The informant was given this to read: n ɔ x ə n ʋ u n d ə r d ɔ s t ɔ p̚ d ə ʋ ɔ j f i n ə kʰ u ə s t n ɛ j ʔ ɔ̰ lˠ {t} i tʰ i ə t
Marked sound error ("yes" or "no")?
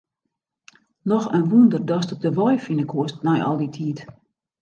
yes